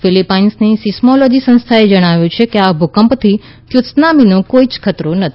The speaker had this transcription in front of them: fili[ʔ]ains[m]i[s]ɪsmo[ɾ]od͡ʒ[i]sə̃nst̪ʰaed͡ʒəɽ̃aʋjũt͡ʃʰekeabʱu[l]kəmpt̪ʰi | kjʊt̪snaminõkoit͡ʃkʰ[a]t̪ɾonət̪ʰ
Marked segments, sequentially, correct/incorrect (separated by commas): incorrect, incorrect, correct, incorrect, correct, incorrect, incorrect